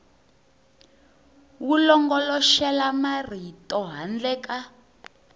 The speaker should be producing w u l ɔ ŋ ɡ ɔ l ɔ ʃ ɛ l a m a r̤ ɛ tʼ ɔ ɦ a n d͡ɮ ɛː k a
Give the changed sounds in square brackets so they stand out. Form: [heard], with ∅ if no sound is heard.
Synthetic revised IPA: w u l ɔ ŋ ɡ ɔ l ɔ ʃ ɛ l a m a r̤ [i] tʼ ɔ ɦ a n d͡ɮ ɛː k a